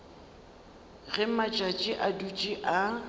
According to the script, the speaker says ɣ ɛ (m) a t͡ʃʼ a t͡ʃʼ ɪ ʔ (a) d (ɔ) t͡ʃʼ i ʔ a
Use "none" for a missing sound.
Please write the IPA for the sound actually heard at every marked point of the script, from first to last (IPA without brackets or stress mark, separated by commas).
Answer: m, a, u